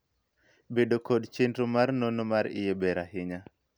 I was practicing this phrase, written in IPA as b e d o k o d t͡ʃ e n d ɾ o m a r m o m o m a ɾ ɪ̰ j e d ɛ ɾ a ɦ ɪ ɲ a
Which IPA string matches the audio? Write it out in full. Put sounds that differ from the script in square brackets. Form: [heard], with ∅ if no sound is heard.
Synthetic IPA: b e d o k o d t͡ʃ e n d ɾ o m a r [n] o [n] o m a ɾ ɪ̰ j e [b] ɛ ɾ a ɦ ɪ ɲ a